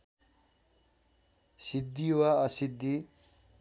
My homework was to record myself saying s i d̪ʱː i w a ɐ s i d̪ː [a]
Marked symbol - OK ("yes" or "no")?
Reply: no